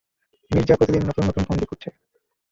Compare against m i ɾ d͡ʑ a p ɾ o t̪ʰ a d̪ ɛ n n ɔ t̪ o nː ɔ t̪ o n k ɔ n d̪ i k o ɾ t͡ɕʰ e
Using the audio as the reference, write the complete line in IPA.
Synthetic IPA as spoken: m i ɾ d͡ʑ a p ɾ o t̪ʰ i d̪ i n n ɔ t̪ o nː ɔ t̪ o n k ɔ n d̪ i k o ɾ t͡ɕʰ e